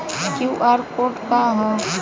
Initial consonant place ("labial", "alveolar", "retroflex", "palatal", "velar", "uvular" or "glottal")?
velar